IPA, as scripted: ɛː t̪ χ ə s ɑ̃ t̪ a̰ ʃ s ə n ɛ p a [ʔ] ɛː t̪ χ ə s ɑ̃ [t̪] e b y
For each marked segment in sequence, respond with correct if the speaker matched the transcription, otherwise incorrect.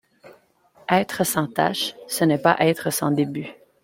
correct, incorrect: d̪

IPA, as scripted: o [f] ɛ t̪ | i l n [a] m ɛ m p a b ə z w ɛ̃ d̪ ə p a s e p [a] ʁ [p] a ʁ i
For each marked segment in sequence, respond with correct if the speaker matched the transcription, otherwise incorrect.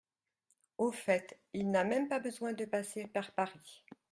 correct, correct, correct, correct

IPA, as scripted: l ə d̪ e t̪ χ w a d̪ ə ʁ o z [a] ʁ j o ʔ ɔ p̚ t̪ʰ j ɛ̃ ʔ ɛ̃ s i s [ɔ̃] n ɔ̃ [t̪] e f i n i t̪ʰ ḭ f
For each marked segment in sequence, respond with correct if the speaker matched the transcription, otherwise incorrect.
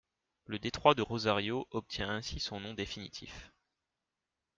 correct, correct, incorrect: d̪

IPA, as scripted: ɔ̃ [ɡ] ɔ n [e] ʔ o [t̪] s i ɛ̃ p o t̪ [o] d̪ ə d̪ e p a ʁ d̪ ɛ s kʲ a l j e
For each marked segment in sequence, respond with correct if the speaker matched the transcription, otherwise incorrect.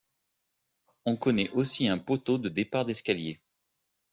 incorrect: k, incorrect: ɛ, incorrect: none, correct

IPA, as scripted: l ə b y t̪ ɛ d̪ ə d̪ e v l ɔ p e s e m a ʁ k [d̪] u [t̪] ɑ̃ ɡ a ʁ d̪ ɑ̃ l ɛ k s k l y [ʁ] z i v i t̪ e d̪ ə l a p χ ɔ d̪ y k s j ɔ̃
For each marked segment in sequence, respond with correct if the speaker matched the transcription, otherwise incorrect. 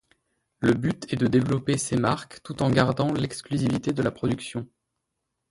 incorrect: t̪, correct, incorrect: none

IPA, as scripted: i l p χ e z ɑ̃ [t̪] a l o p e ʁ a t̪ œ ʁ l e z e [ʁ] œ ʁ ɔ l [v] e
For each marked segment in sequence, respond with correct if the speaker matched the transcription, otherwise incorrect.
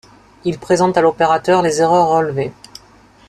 correct, correct, correct

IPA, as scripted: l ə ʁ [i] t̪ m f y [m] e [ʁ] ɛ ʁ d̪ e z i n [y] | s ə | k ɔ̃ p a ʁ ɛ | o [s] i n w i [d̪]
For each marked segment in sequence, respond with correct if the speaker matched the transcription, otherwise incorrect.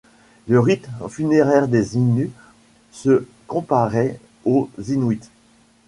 correct, incorrect: n, correct, correct, incorrect: z, incorrect: t̪

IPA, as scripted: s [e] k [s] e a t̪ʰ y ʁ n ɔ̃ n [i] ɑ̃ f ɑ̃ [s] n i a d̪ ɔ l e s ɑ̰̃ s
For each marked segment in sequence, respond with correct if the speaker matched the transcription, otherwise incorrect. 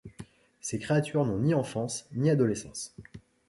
correct, incorrect: χ, correct, correct

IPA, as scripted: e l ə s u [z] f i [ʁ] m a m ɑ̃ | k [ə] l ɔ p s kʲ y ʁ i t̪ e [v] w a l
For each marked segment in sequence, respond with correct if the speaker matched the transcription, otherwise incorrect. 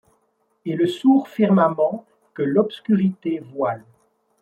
incorrect: ʁ, correct, correct, correct

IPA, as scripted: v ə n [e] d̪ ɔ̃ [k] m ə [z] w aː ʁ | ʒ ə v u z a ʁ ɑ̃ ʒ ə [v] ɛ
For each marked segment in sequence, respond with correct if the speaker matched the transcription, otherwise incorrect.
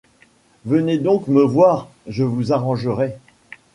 correct, correct, incorrect: v, incorrect: ʁ

